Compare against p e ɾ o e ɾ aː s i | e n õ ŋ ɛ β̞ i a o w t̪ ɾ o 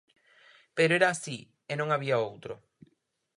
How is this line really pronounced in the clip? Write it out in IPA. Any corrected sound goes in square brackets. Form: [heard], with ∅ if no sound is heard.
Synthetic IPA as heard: p e ɾ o e ɾ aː s i | e n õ ŋ [a] β̞ i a o w t̪ ɾ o